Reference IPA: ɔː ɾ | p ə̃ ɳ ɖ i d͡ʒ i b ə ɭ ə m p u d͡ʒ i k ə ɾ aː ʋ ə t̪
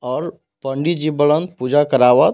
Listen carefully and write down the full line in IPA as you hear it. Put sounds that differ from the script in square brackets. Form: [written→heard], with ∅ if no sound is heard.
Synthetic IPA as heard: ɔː ɾ | p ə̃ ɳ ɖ i d͡ʒ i b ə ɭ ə [m→n] p u d͡ʒ [i→a] k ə ɾ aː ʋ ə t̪